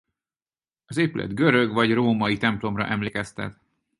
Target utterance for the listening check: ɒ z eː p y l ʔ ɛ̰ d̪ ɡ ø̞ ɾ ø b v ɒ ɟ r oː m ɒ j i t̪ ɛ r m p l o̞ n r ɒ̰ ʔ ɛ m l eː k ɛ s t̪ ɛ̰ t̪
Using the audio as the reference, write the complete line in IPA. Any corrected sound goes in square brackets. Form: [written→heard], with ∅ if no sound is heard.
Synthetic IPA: ɒ z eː p y l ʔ ɛ̰ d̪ ɡ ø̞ ɾ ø [b→ɡ] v ɒ ɟ r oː m ɒ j i t̪ ɛ [r→∅] m p l o̞ [n→m] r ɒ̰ ʔ ɛ m l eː k ɛ s t̪ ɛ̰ t̪